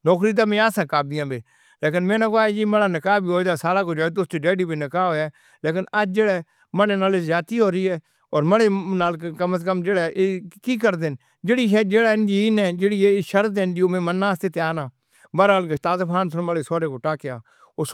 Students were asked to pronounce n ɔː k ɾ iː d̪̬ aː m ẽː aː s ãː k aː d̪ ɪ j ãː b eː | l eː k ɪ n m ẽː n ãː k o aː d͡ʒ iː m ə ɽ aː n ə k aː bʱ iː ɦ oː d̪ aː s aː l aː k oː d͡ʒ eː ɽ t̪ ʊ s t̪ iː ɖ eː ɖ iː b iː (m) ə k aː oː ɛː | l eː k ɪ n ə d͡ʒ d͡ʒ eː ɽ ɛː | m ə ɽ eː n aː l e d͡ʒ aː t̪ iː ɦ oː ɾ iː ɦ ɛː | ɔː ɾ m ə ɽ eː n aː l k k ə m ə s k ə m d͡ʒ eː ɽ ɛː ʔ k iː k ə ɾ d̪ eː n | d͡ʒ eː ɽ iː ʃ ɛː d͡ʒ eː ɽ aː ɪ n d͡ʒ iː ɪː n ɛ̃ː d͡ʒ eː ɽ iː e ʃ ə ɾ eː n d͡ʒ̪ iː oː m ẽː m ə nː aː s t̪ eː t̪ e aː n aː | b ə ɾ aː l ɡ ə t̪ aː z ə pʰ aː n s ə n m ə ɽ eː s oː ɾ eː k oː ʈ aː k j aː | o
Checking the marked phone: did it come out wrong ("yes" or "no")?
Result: yes